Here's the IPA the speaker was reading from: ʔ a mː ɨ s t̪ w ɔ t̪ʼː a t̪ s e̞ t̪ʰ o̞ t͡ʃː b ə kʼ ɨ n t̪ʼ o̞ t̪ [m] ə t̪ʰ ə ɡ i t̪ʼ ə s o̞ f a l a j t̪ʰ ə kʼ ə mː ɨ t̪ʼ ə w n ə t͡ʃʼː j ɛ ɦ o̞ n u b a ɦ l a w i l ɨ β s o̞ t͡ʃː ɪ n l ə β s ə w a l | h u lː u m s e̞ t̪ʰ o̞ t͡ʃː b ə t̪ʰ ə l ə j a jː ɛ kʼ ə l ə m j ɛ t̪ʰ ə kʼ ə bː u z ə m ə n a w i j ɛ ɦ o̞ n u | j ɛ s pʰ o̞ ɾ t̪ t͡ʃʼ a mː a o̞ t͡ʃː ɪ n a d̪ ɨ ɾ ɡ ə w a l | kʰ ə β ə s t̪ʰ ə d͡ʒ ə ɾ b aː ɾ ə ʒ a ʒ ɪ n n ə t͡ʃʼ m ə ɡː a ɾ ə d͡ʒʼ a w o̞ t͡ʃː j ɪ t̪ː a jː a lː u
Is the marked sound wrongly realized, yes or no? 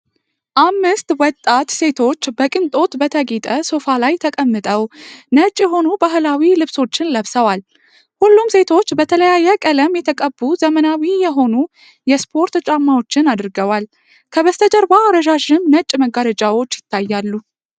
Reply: yes